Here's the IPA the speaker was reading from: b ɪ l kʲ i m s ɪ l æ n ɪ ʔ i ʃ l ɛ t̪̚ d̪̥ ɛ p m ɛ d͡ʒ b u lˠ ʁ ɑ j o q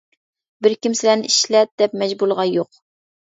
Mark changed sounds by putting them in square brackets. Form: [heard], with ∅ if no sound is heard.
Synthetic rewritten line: b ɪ [ɾ] kʲ i m s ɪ l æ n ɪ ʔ i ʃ l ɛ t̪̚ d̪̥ ɛ p m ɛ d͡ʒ b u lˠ ʁ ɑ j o q

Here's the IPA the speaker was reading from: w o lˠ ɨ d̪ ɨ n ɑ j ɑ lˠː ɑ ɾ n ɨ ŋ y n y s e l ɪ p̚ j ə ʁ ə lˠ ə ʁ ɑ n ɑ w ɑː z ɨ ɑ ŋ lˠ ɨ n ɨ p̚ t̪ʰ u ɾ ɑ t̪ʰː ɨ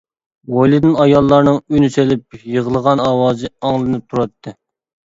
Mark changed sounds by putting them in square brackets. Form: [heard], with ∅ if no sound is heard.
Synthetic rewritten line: w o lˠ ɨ d̪ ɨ n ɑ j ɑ lˠː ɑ ɾ n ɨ ŋ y n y s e l ɪ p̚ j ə ʁ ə lˠ ə ʁ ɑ n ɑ w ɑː z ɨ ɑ ŋ lˠ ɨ n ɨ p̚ t̪ʰ u ɾ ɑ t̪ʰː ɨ

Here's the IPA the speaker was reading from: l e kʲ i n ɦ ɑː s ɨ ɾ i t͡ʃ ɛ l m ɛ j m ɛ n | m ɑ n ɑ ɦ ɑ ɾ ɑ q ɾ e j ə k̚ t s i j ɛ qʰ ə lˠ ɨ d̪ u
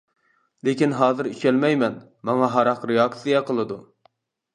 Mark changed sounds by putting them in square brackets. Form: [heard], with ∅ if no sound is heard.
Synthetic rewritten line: l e kʲ i n ɦ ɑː [z] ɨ ɾ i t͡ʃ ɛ l m ɛ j m ɛ n | m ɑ [ŋ] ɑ ɦ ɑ ɾ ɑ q ɾ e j [ɑ] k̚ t s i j ɛ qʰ ə lˠ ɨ d̪ u

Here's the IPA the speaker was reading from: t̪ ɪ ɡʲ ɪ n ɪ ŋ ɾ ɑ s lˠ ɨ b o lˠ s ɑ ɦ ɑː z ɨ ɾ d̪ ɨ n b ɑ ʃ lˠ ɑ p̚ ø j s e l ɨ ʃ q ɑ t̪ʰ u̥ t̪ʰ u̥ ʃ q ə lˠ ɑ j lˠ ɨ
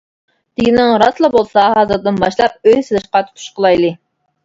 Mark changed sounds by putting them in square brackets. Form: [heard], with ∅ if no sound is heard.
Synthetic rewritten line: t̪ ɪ ɡʲ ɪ n ɪ ŋ ɾ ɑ s lˠ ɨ b o lˠ s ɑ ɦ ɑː z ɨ ɾ d̪ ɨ n b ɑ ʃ lˠ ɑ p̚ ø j s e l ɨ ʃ q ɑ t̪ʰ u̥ t̪ʰ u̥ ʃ q ə lˠ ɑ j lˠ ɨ

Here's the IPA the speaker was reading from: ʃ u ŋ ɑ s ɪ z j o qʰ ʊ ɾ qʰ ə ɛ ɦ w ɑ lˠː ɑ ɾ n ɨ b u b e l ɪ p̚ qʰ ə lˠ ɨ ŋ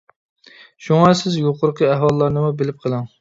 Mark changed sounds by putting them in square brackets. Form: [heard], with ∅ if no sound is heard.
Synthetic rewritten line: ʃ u ŋ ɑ s ɪ z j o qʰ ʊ ɾ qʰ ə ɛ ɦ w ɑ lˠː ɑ ɾ n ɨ [m] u b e l ɪ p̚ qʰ ə lˠ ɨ ŋ

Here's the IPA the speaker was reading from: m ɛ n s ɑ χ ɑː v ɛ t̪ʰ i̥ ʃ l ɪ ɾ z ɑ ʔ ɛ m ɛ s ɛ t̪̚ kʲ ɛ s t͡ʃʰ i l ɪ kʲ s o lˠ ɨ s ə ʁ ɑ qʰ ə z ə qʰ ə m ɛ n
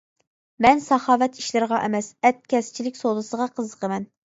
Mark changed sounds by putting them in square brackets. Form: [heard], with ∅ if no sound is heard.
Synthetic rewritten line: m ɛ n s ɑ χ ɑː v ɛ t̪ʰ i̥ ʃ l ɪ ɾ [ʁ] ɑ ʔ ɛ m ɛ s ɛ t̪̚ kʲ ɛ s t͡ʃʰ i l ɪ kʲ s o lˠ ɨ s ə ʁ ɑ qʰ ə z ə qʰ ə m ɛ n

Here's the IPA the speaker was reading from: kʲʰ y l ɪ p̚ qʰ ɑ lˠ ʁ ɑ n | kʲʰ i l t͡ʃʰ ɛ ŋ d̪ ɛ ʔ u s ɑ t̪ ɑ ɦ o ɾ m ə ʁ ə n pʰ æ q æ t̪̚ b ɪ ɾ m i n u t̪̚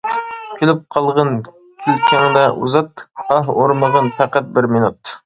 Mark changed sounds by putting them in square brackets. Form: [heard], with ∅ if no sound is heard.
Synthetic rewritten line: kʲʰ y l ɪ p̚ qʰ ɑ lˠ ʁ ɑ n | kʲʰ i l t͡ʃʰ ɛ ŋ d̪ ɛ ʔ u [z] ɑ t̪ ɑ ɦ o ɾ m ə ʁ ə n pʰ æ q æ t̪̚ b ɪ ɾ m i n u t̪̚

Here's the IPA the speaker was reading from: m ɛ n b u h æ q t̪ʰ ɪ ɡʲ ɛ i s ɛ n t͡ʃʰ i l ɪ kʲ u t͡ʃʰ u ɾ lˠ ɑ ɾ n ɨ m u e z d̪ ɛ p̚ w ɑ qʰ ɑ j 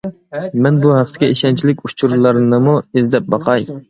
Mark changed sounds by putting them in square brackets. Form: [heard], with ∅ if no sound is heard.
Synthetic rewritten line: m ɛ n b u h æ q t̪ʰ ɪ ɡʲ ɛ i [ʃ] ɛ n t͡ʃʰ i l ɪ kʲ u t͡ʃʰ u ɾ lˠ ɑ ɾ n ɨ m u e z d̪ ɛ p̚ [b] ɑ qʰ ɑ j

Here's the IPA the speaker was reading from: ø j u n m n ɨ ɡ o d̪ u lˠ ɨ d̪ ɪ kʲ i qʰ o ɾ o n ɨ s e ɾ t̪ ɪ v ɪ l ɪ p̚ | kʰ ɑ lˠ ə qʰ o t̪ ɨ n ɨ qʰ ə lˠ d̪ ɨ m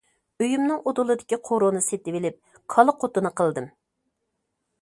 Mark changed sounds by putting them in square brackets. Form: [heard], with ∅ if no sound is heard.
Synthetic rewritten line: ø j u [∅] m n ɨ [ŋ] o d̪ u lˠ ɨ d̪ ɪ kʲ i qʰ o ɾ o n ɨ s e [∅] t̪ ɪ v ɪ l ɪ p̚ | kʰ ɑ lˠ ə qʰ o t̪ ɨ n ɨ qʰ ə lˠ d̪ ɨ m

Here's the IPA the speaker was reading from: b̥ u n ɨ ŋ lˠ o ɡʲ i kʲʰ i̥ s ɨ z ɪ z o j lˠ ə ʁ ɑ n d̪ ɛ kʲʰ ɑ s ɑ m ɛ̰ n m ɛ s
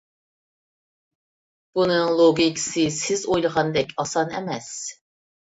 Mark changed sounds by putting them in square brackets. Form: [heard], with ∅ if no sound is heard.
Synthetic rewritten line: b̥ u n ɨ ŋ lˠ o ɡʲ i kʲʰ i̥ s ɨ [s] ɪ z o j lˠ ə ʁ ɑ n d̪ ɛ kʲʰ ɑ s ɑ [n] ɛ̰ [∅] m ɛ s

